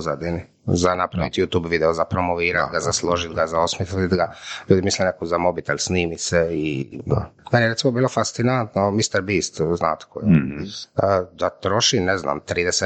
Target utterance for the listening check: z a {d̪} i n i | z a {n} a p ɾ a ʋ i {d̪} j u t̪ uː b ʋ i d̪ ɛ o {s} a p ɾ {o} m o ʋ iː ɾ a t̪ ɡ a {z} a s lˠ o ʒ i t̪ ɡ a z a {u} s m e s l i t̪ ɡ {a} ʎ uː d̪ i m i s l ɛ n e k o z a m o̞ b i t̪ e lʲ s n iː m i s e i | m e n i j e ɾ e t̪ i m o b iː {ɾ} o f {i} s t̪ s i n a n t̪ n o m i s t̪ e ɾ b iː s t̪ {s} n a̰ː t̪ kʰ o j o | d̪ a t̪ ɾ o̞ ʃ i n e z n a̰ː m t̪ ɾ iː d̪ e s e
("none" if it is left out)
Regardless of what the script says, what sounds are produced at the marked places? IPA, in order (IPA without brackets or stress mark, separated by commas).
d̪, n, t̪, z, o, z, o, a, l, a, z